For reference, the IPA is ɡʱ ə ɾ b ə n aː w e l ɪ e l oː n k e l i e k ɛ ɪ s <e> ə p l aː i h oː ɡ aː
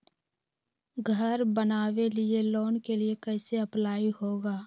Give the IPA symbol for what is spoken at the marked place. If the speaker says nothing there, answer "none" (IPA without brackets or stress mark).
e